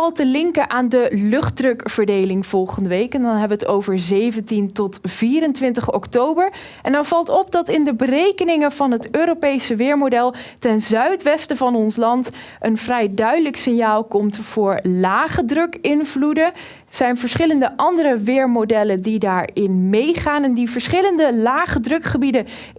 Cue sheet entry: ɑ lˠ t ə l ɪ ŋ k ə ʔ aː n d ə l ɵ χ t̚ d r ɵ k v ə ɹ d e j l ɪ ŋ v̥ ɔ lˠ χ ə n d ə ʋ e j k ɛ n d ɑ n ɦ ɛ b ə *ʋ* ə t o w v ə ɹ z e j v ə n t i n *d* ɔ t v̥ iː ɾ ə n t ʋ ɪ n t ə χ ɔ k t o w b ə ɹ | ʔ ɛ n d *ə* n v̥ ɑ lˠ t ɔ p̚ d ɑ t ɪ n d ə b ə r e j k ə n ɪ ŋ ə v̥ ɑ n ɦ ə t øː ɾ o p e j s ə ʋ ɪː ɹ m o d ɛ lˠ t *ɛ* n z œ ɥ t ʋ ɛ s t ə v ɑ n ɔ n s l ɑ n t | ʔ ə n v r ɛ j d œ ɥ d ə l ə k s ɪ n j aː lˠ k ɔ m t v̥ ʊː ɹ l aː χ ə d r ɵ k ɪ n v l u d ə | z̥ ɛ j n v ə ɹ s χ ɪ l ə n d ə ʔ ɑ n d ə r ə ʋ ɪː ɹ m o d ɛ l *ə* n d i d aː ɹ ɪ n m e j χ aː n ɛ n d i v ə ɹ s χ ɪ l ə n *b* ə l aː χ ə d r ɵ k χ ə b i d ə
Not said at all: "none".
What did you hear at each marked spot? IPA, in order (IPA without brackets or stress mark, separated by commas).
ʋ, t, ɑ, ɛ, ə, d